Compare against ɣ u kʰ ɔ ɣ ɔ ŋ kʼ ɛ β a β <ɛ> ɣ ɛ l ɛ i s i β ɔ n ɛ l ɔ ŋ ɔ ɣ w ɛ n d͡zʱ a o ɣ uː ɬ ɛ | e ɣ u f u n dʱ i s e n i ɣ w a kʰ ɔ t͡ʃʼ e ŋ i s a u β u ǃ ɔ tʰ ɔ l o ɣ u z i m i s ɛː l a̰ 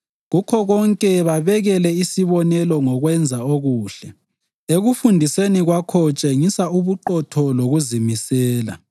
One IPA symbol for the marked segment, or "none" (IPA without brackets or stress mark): ɛ